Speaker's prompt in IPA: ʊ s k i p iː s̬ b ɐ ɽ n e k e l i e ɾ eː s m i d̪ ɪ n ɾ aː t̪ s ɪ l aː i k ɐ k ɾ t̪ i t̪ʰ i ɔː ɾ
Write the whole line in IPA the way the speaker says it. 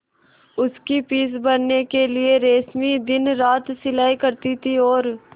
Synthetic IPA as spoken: ʊ s k i p iː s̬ b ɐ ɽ n e k e l i e ɾ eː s m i d̪ ɪ n ɾ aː t̪ s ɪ l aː i k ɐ ɾ t̪ i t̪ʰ i ɔː ɾ